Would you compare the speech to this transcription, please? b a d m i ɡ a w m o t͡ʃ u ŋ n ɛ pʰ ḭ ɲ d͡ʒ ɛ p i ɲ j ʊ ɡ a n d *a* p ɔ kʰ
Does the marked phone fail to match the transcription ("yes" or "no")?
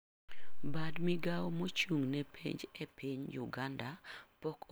no